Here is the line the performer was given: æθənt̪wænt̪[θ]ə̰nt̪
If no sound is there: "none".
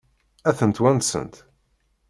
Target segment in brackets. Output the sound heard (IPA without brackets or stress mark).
s